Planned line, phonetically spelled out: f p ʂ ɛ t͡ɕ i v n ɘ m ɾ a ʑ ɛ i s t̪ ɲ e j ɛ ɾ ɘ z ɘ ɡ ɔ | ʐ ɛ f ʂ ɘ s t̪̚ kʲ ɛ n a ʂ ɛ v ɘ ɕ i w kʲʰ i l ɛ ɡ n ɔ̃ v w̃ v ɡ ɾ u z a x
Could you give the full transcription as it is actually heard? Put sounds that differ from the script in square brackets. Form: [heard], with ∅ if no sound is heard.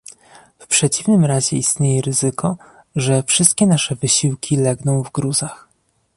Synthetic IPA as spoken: f p ʂ ɛ t͡ɕ i v n ɘ m ɾ a ʑ ɛ i s t̪ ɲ e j ɛ ɾ ɘ z ɘ [k] ɔ | ʐ ɛ f ʂ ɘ s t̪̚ kʲ ɛ n a ʂ ɛ v ɘ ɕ i w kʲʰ i l ɛ ɡ n ɔ̃ [∅] w̃ v ɡ ɾ u z a x